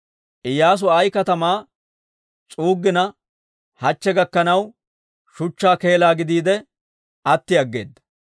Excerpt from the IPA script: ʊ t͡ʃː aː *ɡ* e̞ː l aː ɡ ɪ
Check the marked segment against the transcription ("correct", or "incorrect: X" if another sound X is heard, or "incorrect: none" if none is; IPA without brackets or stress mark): incorrect: k